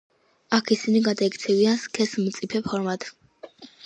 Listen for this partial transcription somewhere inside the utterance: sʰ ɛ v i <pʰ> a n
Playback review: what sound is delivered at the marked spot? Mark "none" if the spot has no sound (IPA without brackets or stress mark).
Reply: none